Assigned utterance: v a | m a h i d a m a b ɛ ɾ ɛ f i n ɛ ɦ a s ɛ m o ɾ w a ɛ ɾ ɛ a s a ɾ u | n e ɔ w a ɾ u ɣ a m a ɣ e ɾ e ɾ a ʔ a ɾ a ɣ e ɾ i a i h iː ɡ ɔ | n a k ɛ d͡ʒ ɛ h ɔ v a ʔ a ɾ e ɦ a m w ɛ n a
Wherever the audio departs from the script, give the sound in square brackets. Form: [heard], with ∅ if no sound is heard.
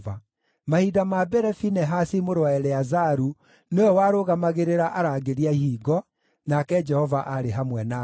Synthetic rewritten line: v a | m a h i d a m a b ɛ ɾ ɛ f i n ɛ ɦ a s [i] m o ɾ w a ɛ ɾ ɛ a [z] a ɾ u | n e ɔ w a ɾ [o] ɣ a m a ɣ e ɾ e ɾ a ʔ a ɾ a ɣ e ɾ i a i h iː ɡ ɔ | n a k ɛ d͡ʒ ɛ h ɔ v a ʔ a ɾ e ɦ a m w ɛ n a